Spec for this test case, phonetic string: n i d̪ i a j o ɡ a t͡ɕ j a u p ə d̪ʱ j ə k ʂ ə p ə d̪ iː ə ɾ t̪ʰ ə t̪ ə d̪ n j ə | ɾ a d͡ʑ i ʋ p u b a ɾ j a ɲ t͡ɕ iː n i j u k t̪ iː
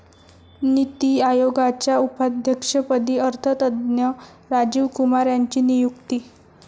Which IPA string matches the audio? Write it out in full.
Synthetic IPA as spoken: n i t̪ i a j o ɡ a t͡ɕ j a u p a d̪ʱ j ə k ʂ ə p ə d̪ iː ə ɾ t̪ʰ ə t̪ ə d̪ n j ə | ɾ a d͡ʑ i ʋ k u m a ɾ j a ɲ t͡ɕ iː n i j u k t̪ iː